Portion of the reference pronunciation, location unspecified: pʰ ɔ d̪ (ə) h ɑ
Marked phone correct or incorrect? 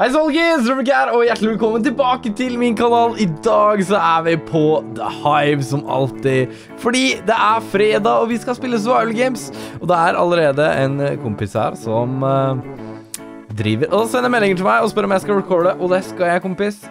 correct